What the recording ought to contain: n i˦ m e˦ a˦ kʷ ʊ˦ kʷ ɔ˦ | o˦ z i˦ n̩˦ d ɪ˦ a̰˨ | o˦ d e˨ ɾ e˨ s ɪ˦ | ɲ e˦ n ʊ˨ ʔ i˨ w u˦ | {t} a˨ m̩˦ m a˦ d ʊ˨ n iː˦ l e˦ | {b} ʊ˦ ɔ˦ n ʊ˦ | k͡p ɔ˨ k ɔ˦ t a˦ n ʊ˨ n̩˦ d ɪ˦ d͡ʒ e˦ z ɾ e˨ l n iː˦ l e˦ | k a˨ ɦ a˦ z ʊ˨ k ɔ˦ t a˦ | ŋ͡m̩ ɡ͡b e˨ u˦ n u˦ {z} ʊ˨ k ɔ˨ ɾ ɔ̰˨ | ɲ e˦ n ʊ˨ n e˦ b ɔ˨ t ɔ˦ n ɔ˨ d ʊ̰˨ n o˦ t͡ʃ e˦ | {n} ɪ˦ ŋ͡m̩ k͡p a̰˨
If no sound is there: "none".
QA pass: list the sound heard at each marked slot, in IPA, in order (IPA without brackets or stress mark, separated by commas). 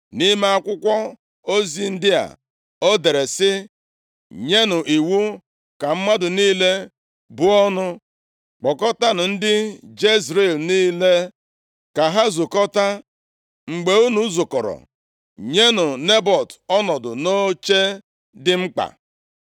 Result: k, b, z, d